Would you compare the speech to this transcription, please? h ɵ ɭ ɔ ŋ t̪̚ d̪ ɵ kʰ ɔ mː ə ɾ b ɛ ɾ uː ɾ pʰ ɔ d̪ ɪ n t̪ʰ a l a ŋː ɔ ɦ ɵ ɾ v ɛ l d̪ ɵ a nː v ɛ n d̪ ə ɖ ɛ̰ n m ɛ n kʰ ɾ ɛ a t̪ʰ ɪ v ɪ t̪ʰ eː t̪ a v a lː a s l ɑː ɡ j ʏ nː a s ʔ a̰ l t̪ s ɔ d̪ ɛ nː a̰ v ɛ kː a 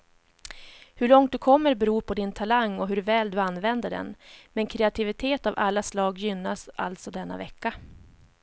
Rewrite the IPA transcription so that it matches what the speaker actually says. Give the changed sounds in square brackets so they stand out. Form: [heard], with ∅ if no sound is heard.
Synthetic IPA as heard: h ɵ ɭ ɔ ŋ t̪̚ d̪ ɵ kʰ ɔ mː ə ɾ b ɛ ɾ uː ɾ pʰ ɔ d̪ ɪ n t̪ʰ a l a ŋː ɔ ɦ ɵ ɾ v [ɛː] l d̪ ɵ a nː v ɛ n d̪ ə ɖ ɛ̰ n m ɛ n kʰ ɾ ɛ a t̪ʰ ɪ v ɪ t̪ʰ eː t̪ a v a lː a s l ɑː ɡ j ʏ nː a s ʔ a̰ l t̪ s ɔ d̪ ɛ nː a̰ v ɛ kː a